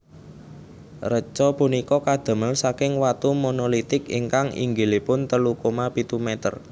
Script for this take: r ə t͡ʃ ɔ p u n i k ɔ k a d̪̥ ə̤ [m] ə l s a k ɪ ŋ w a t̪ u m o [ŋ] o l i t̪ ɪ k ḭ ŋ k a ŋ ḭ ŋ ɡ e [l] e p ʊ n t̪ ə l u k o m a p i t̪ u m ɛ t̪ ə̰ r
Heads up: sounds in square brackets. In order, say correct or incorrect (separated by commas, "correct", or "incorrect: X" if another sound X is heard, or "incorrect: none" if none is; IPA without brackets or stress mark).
correct, incorrect: n, correct